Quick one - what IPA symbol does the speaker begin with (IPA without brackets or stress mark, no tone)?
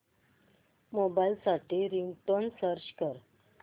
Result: m